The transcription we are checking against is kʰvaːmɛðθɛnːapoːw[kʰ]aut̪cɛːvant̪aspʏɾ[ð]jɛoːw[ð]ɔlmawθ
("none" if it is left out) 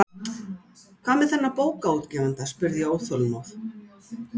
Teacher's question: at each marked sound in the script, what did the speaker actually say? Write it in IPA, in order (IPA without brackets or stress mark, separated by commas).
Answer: k, ð, θ